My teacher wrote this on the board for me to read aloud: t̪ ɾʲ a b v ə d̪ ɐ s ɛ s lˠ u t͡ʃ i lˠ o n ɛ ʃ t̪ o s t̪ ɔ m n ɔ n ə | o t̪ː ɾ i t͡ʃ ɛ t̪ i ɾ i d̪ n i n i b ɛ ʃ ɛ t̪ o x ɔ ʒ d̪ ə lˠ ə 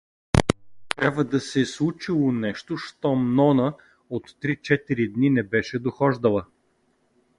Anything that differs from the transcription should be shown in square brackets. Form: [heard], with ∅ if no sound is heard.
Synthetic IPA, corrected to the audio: t̪ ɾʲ a b v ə d̪ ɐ s ɛ s lˠ u t͡ʃ i lˠ o n ɛ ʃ t̪ o [ʃ] t̪ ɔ m n ɔ n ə | o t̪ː ɾ i t͡ʃ ɛ t̪ i ɾ i d̪ n i n [ɛ] b ɛ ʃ ɛ [d̪] o x ɔ ʒ d̪ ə lˠ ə

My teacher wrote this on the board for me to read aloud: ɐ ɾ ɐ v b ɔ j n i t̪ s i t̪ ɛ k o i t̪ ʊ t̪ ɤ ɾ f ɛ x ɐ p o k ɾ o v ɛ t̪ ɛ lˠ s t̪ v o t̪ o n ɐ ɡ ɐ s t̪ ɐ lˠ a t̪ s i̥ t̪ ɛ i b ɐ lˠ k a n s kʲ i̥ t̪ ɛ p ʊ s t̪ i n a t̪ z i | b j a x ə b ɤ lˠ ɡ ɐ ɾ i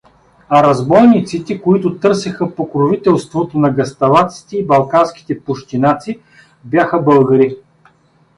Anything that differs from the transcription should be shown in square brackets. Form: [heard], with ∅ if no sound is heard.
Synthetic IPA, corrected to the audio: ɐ ɾ ɐ [z] b ɔ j n i t̪ s i t̪ ɛ k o i t̪ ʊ t̪ ɤ ɾ [s] ɛ x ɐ p o k ɾ o v [i] t̪ ɛ lˠ s t̪ v o t̪ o n ɐ ɡ ɐ s t̪ ɐ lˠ a t̪ s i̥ t̪ ɛ i b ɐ lˠ k a n s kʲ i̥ t̪ ɛ p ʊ [ʃ] t̪ i n a t̪ [s] i | b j a x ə b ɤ lˠ ɡ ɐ ɾ i

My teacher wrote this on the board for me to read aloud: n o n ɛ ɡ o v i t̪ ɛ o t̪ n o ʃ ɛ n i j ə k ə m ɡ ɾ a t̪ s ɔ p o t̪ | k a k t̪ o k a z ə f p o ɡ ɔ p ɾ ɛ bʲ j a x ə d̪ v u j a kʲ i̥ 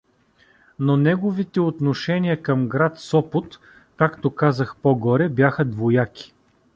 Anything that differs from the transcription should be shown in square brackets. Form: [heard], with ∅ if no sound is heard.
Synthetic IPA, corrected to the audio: n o n ɛ ɡ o v i t̪ ɛ o t̪ n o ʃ ɛ n i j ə k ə m ɡ ɾ a t̪ s ɔ p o t̪ | k a k t̪ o k a z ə [x] p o ɡ ɔ [∅] ɾ ɛ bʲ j a x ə d̪ v [o] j a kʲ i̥

